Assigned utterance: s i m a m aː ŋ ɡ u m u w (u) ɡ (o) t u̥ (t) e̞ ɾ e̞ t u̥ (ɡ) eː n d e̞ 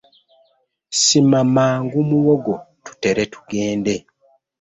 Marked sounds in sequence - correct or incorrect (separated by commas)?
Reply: incorrect, correct, correct, correct